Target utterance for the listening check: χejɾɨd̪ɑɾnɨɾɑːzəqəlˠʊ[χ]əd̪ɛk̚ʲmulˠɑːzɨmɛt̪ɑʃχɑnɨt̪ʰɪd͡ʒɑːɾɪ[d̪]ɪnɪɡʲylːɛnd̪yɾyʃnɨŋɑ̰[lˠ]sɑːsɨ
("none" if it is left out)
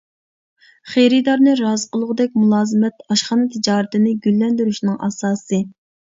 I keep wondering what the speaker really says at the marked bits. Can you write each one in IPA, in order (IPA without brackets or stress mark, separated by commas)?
ʁ, t̪, none